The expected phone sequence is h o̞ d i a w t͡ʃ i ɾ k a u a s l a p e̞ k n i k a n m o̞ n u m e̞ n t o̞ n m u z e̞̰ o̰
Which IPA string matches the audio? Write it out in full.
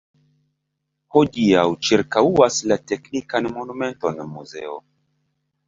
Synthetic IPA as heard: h o̞ d i a w t͡ʃ i ɾ k a u a s l a t e̞ k n i k a n m o̞ n u m e̞ n t o̞ n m u z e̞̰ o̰